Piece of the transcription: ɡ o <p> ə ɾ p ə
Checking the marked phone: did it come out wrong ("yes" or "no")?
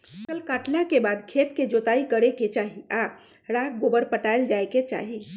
yes